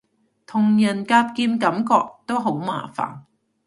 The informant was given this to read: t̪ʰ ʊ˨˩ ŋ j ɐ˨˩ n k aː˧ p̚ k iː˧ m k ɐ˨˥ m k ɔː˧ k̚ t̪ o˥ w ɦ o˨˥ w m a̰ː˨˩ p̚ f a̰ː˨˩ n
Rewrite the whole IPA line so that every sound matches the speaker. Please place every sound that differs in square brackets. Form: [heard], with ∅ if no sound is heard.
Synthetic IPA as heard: t̪ʰ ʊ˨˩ ŋ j ɐ˨˩ n k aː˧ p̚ k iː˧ m k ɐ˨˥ m k ɔː˧ k̚ t̪ o˥ w ɦ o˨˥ w m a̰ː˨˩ [∅] f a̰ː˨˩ n